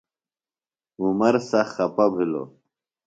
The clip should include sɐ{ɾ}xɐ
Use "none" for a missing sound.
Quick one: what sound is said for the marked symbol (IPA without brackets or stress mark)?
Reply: none